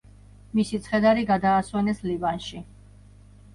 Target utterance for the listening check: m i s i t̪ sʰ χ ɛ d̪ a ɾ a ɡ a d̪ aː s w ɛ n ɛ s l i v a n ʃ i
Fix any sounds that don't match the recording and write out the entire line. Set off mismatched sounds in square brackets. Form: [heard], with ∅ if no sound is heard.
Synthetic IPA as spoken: m i s i t̪ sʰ χ ɛ d̪ a ɾ [i] ɡ a d̪ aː s w ɛ n ɛ s l i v a n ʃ i